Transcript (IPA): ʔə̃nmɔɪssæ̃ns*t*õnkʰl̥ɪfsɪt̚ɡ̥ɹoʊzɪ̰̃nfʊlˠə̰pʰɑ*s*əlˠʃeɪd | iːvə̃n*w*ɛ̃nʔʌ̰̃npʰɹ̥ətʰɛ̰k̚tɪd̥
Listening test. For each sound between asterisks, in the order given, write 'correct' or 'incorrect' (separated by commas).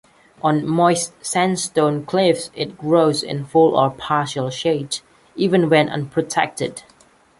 correct, incorrect, correct